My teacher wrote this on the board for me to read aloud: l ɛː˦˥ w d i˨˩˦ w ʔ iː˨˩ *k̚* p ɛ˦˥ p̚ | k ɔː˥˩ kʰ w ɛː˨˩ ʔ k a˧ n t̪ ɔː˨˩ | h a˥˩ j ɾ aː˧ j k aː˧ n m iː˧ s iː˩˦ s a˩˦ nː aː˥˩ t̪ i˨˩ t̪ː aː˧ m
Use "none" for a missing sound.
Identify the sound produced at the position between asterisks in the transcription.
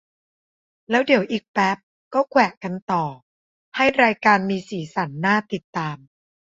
k̚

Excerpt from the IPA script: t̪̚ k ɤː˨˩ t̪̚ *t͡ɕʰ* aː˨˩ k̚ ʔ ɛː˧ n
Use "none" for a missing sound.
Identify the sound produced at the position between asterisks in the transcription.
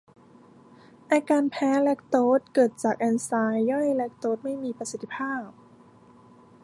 t͡ɕ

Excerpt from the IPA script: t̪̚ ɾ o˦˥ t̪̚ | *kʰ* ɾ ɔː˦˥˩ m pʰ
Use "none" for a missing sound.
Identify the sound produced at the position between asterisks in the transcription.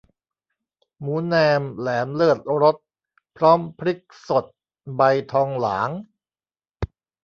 pʰ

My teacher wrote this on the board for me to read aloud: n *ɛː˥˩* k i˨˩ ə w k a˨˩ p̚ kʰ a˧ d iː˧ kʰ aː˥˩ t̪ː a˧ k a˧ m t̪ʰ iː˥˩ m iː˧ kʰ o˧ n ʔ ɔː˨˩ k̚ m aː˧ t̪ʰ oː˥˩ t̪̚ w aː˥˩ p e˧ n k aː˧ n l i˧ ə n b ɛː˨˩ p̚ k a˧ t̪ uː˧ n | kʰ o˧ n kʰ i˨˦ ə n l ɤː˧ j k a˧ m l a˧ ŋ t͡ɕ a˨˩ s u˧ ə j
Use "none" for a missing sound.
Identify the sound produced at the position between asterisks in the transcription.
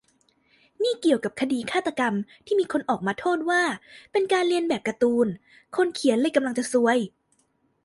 iː˥˩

